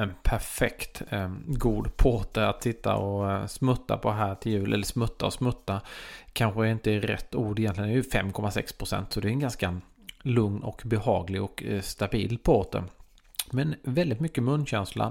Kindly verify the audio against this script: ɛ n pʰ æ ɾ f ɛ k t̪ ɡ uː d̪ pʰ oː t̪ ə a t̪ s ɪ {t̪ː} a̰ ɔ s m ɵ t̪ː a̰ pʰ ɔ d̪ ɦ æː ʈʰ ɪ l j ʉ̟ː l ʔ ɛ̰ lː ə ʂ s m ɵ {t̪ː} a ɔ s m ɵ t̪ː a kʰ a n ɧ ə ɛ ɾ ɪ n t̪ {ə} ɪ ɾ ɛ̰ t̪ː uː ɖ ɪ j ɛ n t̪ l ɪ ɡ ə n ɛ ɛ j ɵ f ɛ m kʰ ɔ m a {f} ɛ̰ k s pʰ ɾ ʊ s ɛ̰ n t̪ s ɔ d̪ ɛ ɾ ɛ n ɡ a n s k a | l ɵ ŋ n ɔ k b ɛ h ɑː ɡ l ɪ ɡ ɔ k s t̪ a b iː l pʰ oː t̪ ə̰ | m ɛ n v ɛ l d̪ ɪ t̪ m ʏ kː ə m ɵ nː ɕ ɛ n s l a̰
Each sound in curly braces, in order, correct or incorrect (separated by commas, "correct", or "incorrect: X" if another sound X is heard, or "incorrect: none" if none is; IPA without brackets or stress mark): correct, correct, correct, incorrect: s